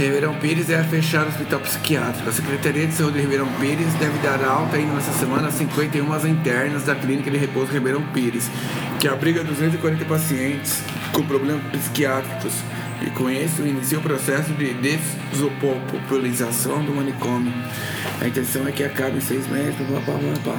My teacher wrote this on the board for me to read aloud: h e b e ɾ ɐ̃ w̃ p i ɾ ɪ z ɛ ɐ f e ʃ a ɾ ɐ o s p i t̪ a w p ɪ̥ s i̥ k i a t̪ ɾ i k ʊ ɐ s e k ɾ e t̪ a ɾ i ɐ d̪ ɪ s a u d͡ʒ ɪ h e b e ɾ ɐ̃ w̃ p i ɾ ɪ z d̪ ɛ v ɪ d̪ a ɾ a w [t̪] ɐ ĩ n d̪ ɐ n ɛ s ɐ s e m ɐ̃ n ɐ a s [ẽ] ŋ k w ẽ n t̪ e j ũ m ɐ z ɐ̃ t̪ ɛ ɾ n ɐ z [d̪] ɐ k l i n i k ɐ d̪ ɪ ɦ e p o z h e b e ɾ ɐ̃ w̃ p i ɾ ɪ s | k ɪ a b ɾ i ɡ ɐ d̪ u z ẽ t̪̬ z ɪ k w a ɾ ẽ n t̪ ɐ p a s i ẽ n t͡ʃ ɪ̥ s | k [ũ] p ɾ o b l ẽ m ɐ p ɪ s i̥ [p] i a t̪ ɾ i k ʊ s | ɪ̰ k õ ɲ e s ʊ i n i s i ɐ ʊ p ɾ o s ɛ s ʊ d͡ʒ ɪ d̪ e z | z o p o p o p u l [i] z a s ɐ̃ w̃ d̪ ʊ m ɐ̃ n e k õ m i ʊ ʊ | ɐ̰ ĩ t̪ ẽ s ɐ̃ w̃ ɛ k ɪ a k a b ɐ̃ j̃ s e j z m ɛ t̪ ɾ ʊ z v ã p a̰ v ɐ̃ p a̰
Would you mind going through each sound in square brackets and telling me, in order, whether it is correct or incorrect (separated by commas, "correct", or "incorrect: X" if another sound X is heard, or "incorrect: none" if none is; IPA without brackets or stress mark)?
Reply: correct, incorrect: ĩ, correct, incorrect: õ, incorrect: k, correct